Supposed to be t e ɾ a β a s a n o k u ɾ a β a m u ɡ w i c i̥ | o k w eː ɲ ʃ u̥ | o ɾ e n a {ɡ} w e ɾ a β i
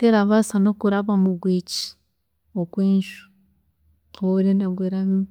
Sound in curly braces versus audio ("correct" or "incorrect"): correct